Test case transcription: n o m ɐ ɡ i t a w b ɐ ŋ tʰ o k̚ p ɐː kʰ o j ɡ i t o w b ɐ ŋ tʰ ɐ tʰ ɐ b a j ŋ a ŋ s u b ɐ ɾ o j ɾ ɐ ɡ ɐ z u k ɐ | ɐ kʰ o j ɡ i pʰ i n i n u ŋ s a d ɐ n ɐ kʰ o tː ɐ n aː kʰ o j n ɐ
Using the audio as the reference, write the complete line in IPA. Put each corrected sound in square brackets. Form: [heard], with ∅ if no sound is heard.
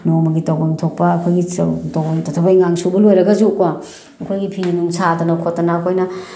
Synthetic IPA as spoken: n o m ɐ ɡ i t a w b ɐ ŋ tʰ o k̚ p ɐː kʰ o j ɡ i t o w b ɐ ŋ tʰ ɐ tʰ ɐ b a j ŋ a ŋ s u b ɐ [l] o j ɾ ɐ ɡ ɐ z u k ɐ | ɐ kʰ o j ɡ i pʰ i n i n u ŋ s a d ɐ n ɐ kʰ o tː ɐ n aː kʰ o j n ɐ